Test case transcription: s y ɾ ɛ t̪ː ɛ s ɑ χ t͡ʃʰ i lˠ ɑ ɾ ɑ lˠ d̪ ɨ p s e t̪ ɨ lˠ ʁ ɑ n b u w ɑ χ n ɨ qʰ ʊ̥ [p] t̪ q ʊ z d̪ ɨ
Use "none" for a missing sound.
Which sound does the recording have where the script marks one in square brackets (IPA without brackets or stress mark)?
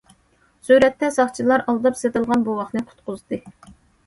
none